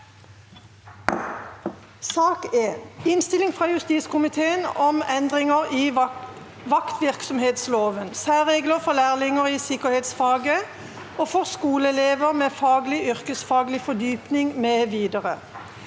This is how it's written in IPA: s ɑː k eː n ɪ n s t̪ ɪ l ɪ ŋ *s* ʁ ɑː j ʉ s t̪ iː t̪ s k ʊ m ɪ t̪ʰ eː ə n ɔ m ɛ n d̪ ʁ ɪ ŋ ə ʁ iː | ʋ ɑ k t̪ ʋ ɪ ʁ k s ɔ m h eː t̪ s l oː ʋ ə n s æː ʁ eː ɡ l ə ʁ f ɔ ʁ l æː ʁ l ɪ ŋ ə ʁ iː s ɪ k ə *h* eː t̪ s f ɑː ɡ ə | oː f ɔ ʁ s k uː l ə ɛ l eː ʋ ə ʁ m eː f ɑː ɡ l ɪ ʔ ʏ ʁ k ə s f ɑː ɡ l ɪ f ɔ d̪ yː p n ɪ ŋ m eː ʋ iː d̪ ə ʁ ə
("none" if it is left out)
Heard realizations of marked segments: f, h

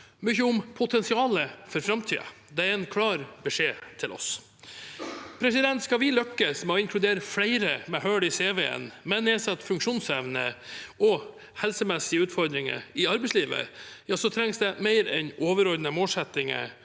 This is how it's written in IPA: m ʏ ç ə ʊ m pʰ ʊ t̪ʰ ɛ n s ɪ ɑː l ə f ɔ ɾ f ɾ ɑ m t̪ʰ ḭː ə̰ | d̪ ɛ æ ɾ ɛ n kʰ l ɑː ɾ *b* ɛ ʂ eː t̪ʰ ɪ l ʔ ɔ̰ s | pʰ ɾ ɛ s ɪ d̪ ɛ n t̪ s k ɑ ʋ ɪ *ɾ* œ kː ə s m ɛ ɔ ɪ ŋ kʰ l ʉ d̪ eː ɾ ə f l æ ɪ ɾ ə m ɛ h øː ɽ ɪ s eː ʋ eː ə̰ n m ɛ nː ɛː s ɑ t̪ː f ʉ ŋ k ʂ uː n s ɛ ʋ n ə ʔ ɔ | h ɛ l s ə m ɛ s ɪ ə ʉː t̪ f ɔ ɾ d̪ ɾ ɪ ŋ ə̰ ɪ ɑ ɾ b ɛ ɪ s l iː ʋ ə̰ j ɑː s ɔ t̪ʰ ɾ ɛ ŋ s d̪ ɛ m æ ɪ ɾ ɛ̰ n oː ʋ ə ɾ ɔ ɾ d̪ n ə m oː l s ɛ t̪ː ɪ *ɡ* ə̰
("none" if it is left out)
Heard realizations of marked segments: b, l, ŋ

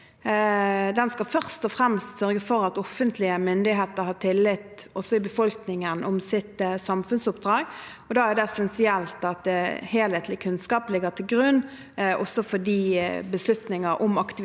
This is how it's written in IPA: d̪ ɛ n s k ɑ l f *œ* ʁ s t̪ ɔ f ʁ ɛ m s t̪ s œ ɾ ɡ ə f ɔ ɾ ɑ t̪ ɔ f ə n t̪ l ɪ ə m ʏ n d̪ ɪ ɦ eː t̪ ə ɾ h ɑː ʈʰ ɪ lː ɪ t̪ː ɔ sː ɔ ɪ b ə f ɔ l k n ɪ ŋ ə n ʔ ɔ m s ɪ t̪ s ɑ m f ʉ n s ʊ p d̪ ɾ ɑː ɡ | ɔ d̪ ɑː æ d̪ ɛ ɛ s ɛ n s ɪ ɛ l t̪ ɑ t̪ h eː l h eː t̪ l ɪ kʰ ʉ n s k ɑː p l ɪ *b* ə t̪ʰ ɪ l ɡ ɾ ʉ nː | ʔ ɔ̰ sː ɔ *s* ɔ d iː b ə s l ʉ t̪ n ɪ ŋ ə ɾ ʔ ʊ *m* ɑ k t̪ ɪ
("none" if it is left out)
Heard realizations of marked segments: œ, ɡ, f, m

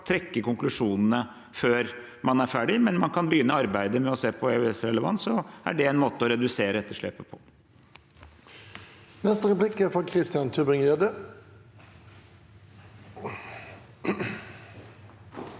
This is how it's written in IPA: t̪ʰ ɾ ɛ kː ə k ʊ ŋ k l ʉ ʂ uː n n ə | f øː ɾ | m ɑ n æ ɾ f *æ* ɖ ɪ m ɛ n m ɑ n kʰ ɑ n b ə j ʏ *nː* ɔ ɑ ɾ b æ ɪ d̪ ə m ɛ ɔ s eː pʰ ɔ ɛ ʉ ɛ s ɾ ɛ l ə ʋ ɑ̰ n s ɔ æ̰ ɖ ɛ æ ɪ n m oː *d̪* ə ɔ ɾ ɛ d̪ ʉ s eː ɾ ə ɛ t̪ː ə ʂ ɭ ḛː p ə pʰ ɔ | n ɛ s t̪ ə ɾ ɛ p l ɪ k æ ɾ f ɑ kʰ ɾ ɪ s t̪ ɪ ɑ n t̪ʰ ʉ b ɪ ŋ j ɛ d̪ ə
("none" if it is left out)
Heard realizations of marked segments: æː, nː, t̪

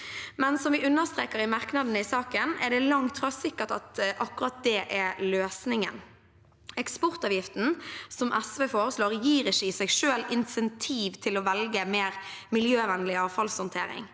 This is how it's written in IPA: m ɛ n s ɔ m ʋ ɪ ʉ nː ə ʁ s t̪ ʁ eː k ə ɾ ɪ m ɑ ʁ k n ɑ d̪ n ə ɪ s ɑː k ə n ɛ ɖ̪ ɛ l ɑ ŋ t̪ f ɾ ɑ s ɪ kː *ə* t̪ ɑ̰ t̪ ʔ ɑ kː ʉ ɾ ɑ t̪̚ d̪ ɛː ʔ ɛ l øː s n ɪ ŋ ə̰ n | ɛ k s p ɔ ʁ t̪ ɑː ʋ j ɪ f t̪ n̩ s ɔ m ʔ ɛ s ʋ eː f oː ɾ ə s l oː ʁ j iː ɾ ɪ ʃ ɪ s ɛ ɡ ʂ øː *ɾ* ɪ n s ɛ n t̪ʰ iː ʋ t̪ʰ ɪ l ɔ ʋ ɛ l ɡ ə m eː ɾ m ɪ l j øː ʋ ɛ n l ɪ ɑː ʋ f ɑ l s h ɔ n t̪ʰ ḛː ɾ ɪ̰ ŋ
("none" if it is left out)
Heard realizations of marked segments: ə, l

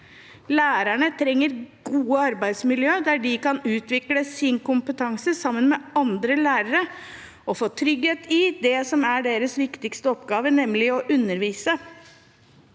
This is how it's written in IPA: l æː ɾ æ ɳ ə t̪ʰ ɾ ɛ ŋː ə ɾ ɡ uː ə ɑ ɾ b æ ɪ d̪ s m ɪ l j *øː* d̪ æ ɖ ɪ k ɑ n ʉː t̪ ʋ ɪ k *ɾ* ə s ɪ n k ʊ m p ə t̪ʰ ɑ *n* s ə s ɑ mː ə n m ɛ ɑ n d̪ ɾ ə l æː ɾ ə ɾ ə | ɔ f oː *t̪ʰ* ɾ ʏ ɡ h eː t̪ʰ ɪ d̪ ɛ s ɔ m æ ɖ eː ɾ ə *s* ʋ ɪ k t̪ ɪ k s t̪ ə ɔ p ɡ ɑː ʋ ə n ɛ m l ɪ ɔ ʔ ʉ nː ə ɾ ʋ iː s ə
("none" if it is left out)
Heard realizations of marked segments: øː, l, ŋ, t̪ʰ, s

